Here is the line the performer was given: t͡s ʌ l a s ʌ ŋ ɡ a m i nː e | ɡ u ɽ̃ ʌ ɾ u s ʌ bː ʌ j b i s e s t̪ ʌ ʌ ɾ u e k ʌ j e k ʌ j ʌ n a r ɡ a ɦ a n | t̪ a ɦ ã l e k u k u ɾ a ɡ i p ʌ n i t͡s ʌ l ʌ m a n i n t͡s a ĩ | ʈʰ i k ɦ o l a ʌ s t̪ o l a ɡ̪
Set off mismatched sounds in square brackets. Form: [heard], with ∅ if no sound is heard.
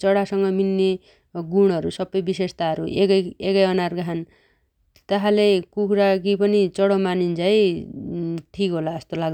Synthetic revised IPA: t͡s ʌ [ɽ] a s ʌ ŋ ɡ [ʌ] m i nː e | ɡ u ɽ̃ ʌ ɾ u s ʌ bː ʌ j b i s e s t̪ [a] ʌ ɾ u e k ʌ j e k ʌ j ʌ n a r ɡ a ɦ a n | t̪ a ɦ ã l e k u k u ɾ a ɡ i p ʌ n i t͡s ʌ [ɽ] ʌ m a n i n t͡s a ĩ | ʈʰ i k ɦ o l a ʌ s t̪ o l a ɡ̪